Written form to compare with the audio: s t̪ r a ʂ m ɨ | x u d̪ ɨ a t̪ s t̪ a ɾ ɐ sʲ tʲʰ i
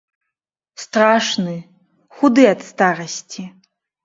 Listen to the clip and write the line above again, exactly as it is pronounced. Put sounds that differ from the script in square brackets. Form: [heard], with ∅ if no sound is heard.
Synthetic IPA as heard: s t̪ r a ʂ [n] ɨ | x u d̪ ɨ a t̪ s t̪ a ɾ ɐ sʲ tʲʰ i